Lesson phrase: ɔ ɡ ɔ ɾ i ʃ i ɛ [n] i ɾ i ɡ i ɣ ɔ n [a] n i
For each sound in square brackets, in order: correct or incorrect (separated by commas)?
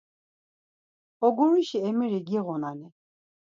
incorrect, correct